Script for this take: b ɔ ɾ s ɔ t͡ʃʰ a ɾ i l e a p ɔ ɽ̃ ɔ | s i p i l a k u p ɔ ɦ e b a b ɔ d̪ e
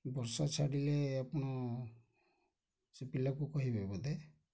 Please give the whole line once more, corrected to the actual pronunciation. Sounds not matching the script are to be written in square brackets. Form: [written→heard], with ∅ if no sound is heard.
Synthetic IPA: b ɔ ɾ s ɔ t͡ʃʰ a [ɾ→ɽ] i l e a p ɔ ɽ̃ ɔ | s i p i l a k u [p→k] ɔ ɦ [e→i] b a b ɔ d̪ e